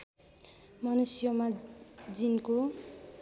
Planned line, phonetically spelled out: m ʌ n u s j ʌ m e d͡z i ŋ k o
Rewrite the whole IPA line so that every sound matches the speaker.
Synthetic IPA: m ʌ n u s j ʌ m a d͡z i n k o